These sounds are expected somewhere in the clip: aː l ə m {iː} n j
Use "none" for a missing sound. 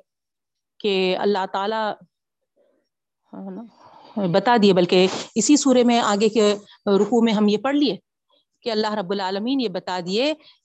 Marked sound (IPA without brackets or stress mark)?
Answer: iː